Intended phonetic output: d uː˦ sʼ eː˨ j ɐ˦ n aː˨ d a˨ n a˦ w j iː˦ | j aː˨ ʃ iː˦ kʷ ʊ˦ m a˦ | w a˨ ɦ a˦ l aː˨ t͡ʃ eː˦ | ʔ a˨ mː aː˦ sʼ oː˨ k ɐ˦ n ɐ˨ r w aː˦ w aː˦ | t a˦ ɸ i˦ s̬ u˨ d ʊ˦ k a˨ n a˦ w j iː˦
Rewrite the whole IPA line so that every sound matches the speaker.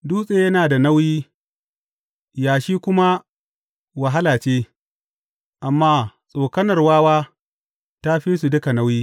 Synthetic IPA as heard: d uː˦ sʼ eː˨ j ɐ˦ n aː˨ d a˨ n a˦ w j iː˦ | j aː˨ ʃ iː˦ kʷ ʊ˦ m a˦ | w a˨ ɦ a˦ l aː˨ t͡ʃ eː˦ | ʔ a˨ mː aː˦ sʼ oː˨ k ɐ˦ n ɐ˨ r w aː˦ w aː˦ | t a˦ ɸ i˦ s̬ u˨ d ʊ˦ k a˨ n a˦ w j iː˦